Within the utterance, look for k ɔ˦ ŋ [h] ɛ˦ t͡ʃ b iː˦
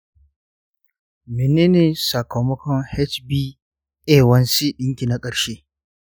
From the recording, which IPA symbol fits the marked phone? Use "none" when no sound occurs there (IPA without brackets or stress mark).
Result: h